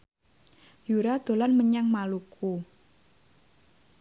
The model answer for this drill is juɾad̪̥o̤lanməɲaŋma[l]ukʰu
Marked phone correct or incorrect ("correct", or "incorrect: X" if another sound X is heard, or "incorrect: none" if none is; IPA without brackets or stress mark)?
correct